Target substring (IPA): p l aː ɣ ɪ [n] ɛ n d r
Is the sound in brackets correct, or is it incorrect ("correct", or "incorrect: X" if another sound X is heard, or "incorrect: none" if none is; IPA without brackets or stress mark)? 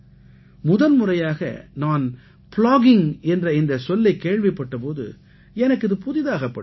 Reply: incorrect: ŋ